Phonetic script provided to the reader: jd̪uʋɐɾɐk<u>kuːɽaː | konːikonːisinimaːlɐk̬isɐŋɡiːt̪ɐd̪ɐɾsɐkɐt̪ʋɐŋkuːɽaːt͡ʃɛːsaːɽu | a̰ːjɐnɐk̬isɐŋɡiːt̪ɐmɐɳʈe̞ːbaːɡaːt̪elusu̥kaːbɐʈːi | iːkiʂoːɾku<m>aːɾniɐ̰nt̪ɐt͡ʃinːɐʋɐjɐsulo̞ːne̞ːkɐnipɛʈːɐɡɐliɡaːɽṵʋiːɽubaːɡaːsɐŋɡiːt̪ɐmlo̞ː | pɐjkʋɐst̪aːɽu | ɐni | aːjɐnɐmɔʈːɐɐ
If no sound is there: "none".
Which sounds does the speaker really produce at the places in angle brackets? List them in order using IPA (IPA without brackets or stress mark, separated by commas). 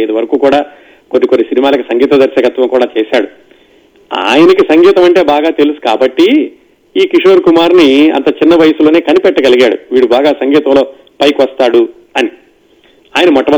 uː, m